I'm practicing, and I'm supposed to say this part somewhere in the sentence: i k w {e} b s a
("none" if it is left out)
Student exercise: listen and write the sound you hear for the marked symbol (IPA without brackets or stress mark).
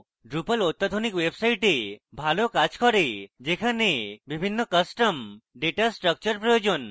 e